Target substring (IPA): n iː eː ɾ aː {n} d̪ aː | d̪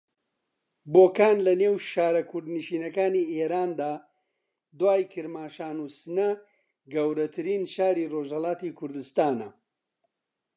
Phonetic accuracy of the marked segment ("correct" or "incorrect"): correct